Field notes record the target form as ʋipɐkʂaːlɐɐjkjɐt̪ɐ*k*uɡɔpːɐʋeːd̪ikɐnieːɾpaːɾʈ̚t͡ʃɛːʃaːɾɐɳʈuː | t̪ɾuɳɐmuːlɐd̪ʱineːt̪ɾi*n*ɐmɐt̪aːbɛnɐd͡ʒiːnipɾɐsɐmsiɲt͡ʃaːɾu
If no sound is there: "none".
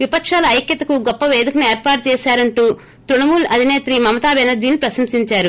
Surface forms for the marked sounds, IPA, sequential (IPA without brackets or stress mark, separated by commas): k, m